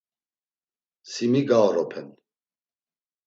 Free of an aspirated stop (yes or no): no